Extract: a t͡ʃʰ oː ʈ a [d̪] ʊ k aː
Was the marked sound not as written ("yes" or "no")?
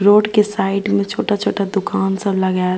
no